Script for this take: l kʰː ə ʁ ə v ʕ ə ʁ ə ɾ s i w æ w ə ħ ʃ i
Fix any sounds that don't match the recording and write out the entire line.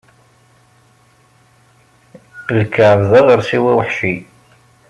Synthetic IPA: l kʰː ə ʕ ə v ð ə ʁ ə ɾ s i w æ w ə ħ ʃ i